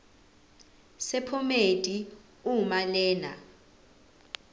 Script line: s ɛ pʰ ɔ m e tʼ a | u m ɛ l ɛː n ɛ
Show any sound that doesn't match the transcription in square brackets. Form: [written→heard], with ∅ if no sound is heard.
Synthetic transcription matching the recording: s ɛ pʰ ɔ m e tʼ [a→i] | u m [ɛ→a] l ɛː n [ɛ→a]